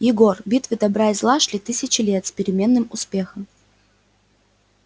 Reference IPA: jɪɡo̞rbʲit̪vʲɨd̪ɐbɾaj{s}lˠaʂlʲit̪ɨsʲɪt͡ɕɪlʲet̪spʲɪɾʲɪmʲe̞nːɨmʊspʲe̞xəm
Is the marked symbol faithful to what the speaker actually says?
no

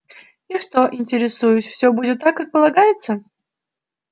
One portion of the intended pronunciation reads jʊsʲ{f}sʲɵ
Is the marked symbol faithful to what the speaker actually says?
yes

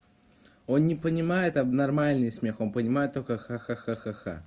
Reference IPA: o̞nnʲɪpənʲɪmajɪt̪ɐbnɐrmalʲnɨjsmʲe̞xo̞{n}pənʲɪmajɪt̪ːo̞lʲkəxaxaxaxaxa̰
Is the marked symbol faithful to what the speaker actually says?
yes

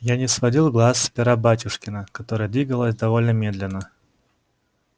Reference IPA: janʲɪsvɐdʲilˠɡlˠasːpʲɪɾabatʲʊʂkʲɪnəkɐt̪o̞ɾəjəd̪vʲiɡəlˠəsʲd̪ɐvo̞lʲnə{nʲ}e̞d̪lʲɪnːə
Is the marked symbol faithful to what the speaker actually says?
no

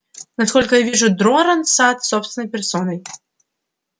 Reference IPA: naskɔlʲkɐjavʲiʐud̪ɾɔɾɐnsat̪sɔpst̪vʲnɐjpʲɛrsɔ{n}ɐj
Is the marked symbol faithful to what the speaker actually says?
yes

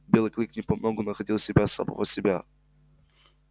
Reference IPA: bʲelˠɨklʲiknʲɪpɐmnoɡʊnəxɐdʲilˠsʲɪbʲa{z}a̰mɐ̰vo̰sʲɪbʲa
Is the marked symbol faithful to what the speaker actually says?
no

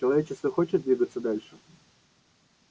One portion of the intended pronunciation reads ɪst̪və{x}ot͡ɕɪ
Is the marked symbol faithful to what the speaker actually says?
yes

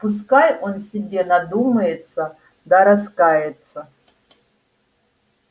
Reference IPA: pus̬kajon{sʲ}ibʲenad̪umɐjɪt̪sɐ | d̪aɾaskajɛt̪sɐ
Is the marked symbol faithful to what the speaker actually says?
yes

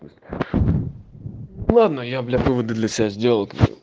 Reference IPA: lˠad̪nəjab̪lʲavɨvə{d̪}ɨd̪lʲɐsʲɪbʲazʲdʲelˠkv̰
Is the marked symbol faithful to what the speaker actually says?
yes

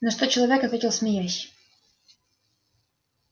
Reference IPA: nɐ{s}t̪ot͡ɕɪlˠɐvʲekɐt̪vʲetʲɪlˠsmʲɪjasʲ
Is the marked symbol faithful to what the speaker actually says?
no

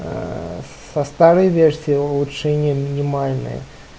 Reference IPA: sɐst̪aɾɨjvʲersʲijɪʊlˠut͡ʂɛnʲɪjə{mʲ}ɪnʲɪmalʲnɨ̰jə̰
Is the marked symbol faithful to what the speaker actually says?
yes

